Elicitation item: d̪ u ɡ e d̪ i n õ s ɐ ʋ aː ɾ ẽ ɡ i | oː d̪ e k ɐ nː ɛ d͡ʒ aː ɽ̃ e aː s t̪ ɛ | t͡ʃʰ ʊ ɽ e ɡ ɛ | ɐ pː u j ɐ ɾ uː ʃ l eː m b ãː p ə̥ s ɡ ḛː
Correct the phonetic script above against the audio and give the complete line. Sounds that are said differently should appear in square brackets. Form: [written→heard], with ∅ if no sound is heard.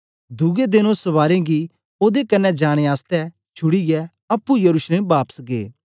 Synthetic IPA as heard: d̪ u ɡ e d̪ [i→ɪ] n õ s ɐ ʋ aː ɾ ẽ ɡ i | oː d̪ e k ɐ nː ɛ d͡ʒ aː ɽ̃ e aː s t̪ ɛ | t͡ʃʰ ʊ ɽ [e→i] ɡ ɛ | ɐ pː u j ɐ ɾ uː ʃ l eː m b [ãː→aː] p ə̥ s ɡ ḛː